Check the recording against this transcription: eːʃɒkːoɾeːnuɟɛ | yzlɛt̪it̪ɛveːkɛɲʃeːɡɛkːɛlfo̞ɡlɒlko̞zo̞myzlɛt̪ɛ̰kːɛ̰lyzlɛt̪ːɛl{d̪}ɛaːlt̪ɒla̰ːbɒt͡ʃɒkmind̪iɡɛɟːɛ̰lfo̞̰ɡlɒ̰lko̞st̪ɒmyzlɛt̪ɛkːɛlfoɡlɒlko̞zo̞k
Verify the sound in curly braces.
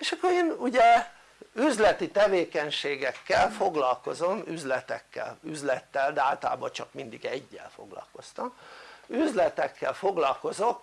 correct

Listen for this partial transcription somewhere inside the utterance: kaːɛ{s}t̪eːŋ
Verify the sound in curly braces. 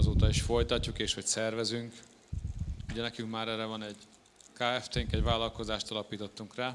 incorrect: f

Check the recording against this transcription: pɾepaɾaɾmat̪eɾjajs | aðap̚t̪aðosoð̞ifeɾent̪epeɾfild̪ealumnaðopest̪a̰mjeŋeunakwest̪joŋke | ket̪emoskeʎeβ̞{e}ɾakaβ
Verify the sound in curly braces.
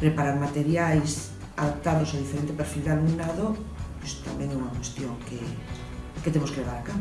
incorrect: a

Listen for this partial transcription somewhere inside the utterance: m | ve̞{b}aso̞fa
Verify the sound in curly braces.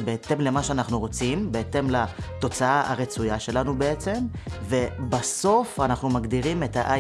correct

